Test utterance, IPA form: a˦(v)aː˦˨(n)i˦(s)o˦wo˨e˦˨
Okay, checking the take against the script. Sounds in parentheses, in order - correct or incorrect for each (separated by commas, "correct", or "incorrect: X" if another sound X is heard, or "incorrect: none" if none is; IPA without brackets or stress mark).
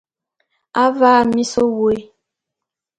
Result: correct, incorrect: m, correct